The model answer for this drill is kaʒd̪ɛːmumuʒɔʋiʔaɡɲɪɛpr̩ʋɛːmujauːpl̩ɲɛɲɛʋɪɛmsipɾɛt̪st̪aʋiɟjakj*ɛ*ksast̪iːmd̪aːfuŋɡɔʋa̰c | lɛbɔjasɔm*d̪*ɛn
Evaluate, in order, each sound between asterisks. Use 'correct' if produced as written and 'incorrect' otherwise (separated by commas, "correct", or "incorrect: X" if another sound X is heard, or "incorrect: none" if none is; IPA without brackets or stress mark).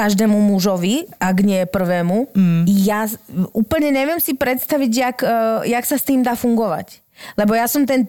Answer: incorrect: a, incorrect: t̪